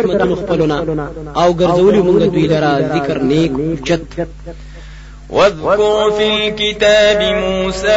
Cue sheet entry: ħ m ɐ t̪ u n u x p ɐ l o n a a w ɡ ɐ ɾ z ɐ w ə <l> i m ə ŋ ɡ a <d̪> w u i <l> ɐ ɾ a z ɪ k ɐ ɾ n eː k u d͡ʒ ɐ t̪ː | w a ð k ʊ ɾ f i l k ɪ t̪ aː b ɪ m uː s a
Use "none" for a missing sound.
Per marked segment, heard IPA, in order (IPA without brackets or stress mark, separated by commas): l, d̪, l